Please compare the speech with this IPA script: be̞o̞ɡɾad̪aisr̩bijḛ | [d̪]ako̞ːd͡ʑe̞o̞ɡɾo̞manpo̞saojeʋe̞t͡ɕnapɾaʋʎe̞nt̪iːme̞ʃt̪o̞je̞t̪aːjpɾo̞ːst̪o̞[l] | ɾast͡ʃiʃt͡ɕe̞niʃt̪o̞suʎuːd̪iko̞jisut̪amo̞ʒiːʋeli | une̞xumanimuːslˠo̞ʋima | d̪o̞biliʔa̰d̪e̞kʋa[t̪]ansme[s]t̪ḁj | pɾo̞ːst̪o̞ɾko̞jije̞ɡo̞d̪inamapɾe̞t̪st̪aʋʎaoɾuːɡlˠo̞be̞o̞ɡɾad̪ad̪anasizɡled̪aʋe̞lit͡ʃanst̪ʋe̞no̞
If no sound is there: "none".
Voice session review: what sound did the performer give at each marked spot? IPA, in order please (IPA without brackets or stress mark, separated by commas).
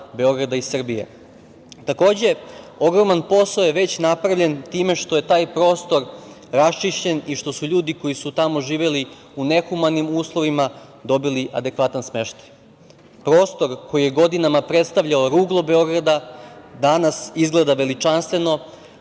t̪, ɾ, t̪, ʃ